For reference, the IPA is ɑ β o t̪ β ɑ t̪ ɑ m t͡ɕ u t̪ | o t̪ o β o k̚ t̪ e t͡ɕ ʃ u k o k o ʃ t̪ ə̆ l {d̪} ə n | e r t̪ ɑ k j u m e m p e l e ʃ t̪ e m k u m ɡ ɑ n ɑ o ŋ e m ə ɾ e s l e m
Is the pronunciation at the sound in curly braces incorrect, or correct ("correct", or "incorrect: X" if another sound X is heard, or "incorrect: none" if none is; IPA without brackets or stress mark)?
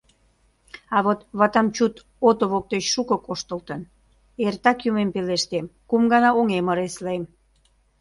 incorrect: t̪